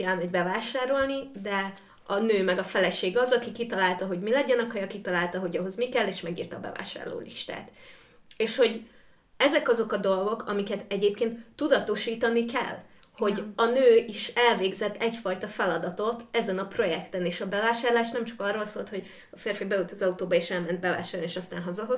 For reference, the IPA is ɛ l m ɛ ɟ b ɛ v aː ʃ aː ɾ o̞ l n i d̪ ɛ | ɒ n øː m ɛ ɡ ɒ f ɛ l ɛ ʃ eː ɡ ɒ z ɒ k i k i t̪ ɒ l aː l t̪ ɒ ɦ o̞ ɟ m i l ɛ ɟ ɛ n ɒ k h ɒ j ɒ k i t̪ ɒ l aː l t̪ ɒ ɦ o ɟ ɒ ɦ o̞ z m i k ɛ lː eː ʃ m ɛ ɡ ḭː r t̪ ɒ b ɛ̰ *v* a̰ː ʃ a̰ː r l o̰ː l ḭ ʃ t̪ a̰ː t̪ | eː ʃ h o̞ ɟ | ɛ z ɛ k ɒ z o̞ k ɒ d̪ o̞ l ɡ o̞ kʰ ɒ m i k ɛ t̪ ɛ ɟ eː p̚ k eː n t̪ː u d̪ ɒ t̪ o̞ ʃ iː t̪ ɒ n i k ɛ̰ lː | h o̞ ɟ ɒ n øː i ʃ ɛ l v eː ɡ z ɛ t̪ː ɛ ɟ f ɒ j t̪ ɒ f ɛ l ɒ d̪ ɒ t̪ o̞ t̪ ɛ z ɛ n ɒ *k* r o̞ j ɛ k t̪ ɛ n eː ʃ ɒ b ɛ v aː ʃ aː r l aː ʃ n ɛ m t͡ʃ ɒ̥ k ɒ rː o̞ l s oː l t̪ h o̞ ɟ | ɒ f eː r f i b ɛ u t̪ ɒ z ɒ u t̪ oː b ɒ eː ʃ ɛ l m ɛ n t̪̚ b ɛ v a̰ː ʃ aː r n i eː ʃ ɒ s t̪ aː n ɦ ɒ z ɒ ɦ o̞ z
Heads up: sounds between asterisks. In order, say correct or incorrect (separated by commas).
correct, incorrect